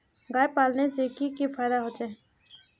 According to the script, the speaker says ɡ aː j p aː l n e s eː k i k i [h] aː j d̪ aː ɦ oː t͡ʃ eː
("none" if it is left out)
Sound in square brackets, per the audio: f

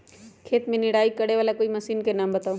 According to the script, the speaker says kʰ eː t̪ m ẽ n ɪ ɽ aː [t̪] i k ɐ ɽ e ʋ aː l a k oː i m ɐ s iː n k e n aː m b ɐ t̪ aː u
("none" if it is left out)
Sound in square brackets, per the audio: none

